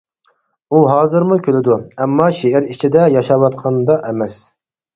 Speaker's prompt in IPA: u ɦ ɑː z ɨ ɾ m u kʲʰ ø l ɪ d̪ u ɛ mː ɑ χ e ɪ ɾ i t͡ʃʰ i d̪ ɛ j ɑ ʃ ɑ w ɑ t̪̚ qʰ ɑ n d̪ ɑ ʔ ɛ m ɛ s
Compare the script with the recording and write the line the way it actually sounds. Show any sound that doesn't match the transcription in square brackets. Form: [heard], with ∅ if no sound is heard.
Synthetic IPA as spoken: u ɦ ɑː z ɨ ɾ m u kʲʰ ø l ɪ d̪ u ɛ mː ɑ [ʃ] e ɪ ɾ i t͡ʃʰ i d̪ ɛ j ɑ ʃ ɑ w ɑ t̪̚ qʰ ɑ n d̪ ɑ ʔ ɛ m ɛ s